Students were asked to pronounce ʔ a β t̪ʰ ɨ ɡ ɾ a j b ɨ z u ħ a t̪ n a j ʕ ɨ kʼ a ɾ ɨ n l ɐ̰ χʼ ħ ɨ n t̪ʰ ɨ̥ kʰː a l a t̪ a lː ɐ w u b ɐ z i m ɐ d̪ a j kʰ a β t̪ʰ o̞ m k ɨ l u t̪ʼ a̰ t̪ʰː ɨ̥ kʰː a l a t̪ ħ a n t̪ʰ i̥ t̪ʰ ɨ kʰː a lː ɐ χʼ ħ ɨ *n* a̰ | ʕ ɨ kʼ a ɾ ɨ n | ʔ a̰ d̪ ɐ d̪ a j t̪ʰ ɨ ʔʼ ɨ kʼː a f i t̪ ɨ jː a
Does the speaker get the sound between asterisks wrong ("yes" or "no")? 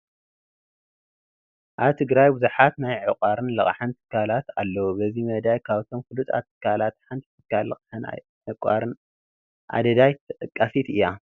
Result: no